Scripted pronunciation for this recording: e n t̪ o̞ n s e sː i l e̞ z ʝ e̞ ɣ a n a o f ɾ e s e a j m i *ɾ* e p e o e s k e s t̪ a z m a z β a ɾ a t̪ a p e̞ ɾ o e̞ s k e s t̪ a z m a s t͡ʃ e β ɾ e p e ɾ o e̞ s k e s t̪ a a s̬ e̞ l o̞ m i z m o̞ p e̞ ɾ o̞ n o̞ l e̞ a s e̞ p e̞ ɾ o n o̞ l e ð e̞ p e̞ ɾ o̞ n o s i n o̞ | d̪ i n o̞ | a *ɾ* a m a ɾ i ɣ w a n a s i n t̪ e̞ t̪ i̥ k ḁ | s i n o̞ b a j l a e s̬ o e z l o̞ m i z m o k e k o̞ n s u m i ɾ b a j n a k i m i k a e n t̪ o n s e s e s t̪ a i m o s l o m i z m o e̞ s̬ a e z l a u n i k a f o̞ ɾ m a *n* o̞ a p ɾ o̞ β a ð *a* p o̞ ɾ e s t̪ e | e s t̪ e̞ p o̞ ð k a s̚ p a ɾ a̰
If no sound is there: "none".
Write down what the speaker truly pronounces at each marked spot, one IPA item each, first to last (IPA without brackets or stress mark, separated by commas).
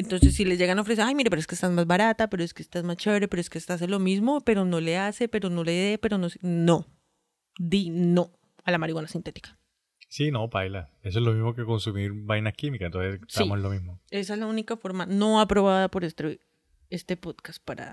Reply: ɾ, l, n, a